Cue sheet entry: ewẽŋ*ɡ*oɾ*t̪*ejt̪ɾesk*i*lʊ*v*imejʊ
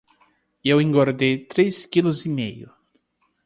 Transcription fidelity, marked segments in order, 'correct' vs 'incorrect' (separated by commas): correct, incorrect, correct, incorrect